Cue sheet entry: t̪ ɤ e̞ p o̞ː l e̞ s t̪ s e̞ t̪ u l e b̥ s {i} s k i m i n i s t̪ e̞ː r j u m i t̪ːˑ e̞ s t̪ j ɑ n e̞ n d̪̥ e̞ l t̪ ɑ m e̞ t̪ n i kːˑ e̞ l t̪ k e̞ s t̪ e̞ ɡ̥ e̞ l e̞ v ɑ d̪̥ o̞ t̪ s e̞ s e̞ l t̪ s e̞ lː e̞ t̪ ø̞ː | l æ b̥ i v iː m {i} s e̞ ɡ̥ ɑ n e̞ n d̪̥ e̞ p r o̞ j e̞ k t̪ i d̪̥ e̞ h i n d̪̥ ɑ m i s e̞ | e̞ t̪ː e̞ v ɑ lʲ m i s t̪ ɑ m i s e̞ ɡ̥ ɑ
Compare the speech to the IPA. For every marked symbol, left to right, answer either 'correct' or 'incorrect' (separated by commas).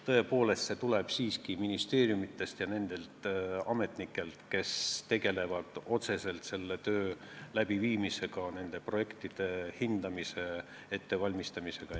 incorrect, correct